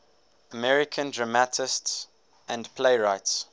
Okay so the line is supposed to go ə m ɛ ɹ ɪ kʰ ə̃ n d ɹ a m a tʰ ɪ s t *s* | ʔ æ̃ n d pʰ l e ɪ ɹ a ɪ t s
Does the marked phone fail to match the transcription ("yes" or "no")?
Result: no